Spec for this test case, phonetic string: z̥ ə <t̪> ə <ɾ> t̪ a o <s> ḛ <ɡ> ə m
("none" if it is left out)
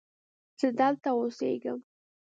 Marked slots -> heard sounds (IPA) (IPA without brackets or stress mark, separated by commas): d̪, l, s, ɡ